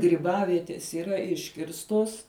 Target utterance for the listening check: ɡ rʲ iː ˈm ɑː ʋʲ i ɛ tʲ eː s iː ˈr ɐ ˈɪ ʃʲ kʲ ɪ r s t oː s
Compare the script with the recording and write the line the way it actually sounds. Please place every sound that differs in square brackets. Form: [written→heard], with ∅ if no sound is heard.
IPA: ɡ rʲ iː [ˈm→ˈb] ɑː ʋʲ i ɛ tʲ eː s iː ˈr ɐ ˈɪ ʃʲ kʲ ɪ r s t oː s